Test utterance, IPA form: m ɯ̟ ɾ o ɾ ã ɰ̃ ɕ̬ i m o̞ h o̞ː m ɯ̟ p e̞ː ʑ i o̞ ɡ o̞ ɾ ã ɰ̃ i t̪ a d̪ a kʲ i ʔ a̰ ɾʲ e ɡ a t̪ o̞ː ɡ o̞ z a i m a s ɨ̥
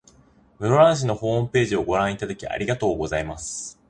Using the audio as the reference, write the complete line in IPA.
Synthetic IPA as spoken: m ɯ̟ ɾ o ɾ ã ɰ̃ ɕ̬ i n o̞ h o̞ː m ɯ̟ p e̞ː ʑ i o̞ ɡ o̞ ɾ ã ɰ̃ i t̪ a d̪ a kʲ i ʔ a̰ ɾʲ i ɡ a t̪ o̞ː ɡ o̞ z a i m a s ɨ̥